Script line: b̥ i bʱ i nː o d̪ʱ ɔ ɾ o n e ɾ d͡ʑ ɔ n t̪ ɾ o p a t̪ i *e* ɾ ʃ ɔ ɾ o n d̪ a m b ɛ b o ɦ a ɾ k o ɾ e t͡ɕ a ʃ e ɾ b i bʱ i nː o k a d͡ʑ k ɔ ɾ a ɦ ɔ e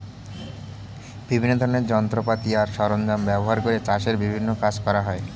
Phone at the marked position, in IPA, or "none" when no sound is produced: a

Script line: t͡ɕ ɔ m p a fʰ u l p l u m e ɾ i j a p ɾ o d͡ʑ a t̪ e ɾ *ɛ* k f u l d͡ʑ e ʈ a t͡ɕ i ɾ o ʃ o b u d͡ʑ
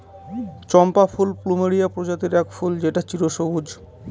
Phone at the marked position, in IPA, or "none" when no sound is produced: ɛ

